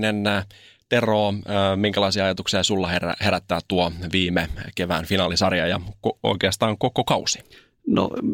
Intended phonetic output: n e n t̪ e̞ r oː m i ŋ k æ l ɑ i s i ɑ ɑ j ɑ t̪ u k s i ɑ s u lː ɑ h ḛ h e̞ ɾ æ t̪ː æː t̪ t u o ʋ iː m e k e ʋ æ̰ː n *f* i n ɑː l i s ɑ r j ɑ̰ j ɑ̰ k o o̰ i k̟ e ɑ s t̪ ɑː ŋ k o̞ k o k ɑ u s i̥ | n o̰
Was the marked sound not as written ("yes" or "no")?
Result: no